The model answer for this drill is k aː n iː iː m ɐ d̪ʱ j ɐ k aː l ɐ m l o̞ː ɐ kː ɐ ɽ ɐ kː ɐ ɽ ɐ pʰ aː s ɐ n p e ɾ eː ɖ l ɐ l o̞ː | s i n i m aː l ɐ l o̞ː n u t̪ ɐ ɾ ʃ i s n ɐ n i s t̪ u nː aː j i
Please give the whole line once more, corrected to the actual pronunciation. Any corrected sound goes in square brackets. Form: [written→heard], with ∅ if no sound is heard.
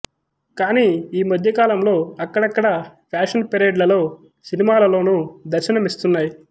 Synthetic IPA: k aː n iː iː m ɐ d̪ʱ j ɐ k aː l ɐ m l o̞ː ɐ kː ɐ ɽ ɐ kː ɐ ɽ ɐ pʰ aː [s→ʂ] ɐ n p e ɾ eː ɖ l ɐ l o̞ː | s i n i m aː l ɐ l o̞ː n u [t̪→d̪] ɐ ɾ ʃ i [s→∅] n ɐ [n→m] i s t̪ u nː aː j i

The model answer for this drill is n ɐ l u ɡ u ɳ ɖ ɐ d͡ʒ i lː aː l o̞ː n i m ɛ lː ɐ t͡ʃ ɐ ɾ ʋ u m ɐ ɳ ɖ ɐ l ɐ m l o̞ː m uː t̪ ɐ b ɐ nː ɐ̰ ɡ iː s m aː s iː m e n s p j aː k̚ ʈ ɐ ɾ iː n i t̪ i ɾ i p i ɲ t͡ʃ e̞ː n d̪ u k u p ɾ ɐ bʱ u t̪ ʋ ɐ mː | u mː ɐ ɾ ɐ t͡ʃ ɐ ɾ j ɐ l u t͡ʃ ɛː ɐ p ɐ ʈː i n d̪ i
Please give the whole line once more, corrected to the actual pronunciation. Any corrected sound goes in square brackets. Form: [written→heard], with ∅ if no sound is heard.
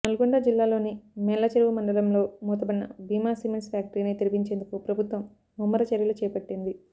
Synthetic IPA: n ɐ l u ɡ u ɳ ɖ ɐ d͡ʒ i lː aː l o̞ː n i m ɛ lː ɐ t͡ʃ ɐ ɾ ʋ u m ɐ ɳ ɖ ɐ l ɐ m l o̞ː m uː t̪ ɐ b ɐ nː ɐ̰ [ɡ→b] iː [s→∅] m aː s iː m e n s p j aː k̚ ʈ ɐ ɾ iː n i t̪ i ɾ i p i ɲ t͡ʃ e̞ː n d̪ u k u p ɾ ɐ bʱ u t̪ ʋ ɐ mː | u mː ɐ ɾ ɐ t͡ʃ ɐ ɾ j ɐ l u t͡ʃ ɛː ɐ p ɐ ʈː i n d̪ i

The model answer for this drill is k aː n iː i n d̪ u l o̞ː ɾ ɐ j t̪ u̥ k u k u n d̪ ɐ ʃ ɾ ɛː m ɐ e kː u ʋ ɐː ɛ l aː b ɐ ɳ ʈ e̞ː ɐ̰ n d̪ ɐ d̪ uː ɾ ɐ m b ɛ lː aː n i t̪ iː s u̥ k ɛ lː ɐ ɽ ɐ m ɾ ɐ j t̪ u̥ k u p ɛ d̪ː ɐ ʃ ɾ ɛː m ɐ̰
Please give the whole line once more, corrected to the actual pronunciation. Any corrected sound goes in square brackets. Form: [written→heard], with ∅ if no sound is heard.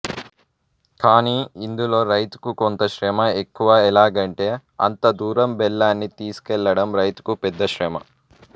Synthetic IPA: k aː n iː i n d̪ u l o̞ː ɾ ɐ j t̪ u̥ k u k [u→o] n [d̪→t̪] ɐ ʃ ɾ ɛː m ɐ e kː u ʋ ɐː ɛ l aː [b→ɡ] ɐ ɳ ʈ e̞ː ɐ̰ n [d̪→t̪] ɐ d̪ uː ɾ ɐ m b ɛ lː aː [n→nː] i t̪ iː s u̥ k ɛ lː ɐ ɽ ɐ m ɾ ɐ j t̪ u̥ k u p ɛ d̪ː ɐ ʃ ɾ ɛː m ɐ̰

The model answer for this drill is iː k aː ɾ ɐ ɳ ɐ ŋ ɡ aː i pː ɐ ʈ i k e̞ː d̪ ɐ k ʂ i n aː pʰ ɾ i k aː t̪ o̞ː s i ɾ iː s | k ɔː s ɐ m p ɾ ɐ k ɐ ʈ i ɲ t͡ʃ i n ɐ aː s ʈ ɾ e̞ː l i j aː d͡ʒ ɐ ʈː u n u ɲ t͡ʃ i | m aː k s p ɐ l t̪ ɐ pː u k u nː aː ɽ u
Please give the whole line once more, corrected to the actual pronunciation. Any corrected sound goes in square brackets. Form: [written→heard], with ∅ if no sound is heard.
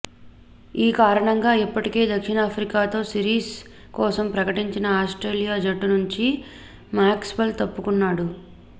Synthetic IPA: iː k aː ɾ ɐ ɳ ɐ ŋ ɡ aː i pː ɐ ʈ i k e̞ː d̪ ɐ k ʂ i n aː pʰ ɾ i k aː t̪ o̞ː s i ɾ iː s | k ɔː s ɐ m p ɾ ɐ k ɐ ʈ i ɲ t͡ʃ i n ɐ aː s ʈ ɾ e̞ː l i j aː d͡ʒ ɐ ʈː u n u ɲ t͡ʃ i | m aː k s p ɐ l t̪ ɐ pː u k u nː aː ɽ u

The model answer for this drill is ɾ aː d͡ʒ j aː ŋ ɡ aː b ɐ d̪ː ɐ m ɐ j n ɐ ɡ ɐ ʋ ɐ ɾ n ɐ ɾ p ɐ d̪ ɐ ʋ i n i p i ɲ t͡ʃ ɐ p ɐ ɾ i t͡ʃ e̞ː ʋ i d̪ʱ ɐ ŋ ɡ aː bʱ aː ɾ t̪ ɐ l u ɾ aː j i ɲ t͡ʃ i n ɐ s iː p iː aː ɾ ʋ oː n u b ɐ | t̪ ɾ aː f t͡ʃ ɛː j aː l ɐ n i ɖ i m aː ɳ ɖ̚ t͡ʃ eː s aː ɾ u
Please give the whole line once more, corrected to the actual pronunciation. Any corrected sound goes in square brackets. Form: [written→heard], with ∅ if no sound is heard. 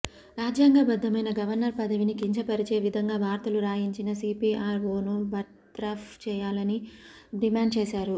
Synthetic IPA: ɾ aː d͡ʒ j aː ŋ ɡ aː b ɐ d̪ː ɐ m ɐ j n ɐ ɡ ɐ ʋ ɐ ɾ n ɐ ɾ p ɐ d̪ ɐ ʋ i n i [p→k] i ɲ t͡ʃ ɐ p ɐ ɾ i t͡ʃ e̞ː ʋ i d̪ʱ ɐ ŋ ɡ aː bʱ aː ɾ t̪ ɐ l u ɾ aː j i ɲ t͡ʃ i n ɐ s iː p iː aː ɾ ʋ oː n u b ɐ | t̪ ɾ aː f t͡ʃ ɛː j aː l ɐ n i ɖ i m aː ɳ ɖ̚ t͡ʃ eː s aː ɾ u

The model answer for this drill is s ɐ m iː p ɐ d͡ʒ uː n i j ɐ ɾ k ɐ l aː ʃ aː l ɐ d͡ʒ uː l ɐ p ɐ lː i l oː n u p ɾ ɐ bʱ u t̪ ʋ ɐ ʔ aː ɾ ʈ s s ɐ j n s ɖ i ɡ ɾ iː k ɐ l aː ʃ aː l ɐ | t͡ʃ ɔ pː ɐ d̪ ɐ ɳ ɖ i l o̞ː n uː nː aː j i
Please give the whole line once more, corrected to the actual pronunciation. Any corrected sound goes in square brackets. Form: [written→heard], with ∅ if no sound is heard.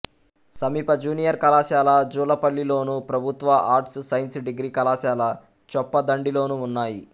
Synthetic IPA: s ɐ m iː p ɐ d͡ʒ uː n i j ɐ ɾ k ɐ l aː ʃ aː l ɐ d͡ʒ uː l ɐ p ɐ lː i l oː n u p ɾ ɐ bʱ u t̪ ʋ ɐ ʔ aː ɾ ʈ s s ɐ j n s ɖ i ɡ ɾ iː k ɐ l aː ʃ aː l ɐ | t͡ʃ ɔ pː ɐ d̪ ɐ ɳ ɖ i l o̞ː n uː nː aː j i

